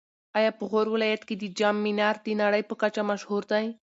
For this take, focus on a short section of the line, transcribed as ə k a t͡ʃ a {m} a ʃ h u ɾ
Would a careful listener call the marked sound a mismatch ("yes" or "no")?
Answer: no